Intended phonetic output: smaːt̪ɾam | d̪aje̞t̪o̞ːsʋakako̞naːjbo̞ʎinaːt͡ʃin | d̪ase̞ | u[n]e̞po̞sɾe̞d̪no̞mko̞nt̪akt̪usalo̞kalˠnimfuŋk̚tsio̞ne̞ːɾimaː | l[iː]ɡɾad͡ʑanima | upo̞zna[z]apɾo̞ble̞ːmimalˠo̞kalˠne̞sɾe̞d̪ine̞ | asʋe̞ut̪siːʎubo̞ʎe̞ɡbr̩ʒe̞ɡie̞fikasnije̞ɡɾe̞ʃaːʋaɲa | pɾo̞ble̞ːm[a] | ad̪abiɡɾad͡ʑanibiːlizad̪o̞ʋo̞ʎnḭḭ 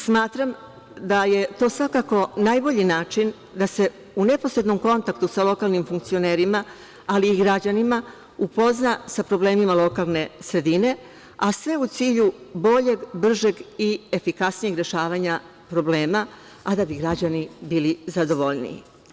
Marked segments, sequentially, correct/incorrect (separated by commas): correct, correct, incorrect, correct